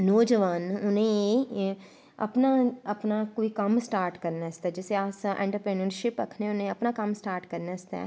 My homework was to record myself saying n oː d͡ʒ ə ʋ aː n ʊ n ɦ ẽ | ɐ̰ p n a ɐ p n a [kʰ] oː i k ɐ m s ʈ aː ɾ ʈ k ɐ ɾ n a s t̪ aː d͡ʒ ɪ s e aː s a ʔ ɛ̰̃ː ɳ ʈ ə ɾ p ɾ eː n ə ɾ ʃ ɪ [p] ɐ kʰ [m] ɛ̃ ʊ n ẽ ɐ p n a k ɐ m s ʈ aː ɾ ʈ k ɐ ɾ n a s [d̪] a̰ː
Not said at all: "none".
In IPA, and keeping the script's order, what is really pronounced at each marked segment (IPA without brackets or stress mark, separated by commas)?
k, p, n, t̪